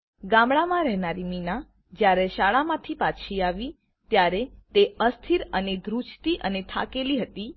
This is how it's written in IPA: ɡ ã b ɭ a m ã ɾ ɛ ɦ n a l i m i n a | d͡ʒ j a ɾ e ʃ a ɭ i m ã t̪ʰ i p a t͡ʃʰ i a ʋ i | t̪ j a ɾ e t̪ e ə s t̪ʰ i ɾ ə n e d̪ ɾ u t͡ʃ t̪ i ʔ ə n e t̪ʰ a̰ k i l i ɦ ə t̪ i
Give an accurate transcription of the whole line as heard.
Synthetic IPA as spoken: ɡ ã m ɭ a m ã ɾ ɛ ɦ n a ɾ i m i n a | d͡ʒ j a ɾ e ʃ a ɭ a m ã t̪ʰ i p a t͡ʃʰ i a ʋ i | t̪ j a ɾ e t̪ e ə s t̪ʰ i ɾ ə n e d̪ ɾ u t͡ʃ t̪ i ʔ ə n e t̪ʰ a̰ k e l i ɦ ə t̪ i

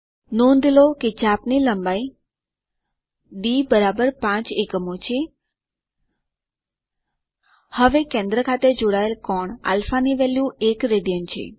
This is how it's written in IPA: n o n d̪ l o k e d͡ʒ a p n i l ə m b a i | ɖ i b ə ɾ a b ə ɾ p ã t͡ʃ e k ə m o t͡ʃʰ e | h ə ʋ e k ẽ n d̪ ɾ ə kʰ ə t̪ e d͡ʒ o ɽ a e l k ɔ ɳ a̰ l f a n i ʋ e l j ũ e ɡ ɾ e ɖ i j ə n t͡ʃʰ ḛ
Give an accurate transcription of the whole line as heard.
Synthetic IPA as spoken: n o n d̪ l o k e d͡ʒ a p n i l ə m b a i | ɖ i b ə ɾ a b ə ɾ p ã t͡ʃ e k ə m o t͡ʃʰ e | h ə ʋ e k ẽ n d̪ ɾ ə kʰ a t̪ e d͡ʒ o ɽ a e l k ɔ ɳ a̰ l f a n i ʋ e l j ũ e k ɾ e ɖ i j ə n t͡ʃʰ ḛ

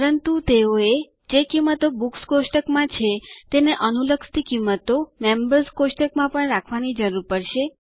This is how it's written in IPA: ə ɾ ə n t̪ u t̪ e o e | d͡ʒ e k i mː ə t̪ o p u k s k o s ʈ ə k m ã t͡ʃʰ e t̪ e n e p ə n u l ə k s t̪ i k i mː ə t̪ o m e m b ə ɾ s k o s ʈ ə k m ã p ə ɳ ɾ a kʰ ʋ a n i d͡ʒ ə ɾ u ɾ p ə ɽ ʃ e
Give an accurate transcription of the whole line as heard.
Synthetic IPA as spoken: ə ɾ ə n t̪ u t̪ e o e | d͡ʒ e k i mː ə t̪ o b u k s k o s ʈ ə k m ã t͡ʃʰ e t̪ e n e ʔ ə n u l ə k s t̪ i k i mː ə t̪ o m e m b ə ɾ s k o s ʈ ə k m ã p ə ɳ ɾ a kʰ ʋ a n i d͡ʒ ə ɾ u ɾ p ə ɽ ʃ e

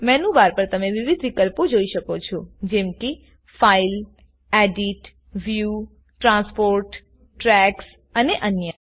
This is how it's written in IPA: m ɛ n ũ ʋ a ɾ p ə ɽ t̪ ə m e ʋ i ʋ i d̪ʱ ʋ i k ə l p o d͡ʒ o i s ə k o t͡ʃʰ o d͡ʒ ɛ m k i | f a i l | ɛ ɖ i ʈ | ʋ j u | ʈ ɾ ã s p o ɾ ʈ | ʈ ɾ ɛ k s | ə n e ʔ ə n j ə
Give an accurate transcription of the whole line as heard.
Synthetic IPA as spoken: m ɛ n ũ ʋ a ɾ p ə ɾ t̪ ə m e ʋ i ʋ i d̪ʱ ʋ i k ə l p o d͡ʒ o i ʃ ə k o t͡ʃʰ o d͡ʒ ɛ m k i | f a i l | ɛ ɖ i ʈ | ʋ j u | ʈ ɾ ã s p o ɾ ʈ | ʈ ɾ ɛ k s | ə n e ʔ ə n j ə

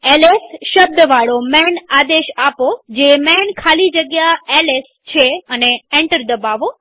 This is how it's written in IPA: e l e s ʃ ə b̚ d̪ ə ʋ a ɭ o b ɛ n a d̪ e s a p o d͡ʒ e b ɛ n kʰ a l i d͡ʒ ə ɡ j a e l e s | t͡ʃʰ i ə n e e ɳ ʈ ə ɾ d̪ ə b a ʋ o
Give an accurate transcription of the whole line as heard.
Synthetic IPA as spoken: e l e s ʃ ə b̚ d̪ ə ʋ a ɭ o m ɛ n a d̪ e ʃ a p o d͡ʒ e m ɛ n kʰ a l i d͡ʒ ə ɡ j a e l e s | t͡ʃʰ e ə n e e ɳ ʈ ə ɾ d̪ ə b a ʋ o

